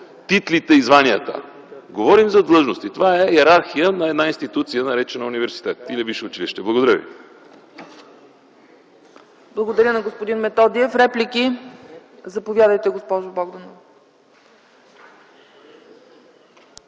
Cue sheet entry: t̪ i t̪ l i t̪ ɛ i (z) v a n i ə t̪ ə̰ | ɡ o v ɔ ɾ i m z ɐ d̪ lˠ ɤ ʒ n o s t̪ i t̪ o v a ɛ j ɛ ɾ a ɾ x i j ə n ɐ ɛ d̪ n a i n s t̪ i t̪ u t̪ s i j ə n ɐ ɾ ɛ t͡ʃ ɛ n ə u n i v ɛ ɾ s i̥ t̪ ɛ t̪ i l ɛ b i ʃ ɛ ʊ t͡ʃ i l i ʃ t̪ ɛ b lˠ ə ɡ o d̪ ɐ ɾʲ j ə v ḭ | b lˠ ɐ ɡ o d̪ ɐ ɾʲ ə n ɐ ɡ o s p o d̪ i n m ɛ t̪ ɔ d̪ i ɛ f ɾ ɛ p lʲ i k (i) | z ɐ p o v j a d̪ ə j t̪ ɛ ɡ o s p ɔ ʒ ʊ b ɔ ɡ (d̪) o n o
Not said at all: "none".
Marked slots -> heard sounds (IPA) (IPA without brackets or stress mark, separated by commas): z, i, d̪